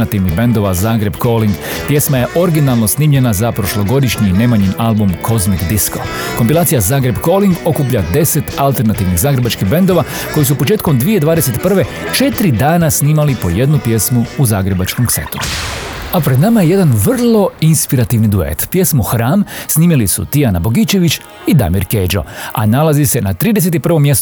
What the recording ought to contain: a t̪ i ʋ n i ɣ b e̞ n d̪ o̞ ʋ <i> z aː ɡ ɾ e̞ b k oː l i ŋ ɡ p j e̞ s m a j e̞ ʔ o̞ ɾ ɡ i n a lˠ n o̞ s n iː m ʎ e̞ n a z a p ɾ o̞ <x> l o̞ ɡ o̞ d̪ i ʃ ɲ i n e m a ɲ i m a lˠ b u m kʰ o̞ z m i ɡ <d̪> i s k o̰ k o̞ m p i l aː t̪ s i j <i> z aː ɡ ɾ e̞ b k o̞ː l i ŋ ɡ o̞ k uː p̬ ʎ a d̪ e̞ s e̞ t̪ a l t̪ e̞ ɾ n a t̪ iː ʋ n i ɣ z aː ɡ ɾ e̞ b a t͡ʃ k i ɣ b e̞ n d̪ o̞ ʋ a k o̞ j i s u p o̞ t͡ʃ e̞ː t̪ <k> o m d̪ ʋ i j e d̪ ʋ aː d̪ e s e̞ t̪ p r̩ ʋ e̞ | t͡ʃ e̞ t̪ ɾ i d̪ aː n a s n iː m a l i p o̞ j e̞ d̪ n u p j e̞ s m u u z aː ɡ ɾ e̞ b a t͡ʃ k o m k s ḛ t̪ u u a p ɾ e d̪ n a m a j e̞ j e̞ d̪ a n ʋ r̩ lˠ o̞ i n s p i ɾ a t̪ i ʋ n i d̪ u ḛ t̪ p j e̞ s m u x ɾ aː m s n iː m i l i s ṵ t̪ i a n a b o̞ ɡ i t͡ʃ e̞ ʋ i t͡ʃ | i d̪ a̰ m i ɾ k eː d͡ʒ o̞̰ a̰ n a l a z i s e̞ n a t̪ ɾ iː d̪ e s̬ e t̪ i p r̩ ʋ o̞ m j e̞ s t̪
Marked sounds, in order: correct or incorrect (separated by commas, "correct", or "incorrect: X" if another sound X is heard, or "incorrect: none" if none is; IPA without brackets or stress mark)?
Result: incorrect: a, incorrect: ʃ, correct, incorrect: a, correct